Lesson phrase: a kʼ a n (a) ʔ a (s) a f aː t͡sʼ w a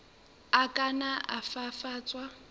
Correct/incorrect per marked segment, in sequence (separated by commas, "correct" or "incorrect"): correct, incorrect